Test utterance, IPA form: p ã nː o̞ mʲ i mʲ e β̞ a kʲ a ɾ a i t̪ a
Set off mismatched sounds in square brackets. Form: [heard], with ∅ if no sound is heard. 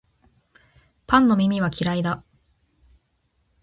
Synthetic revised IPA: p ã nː o̞ mʲ i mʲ [i] β̞ a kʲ [i] ɾ a i [d̪] a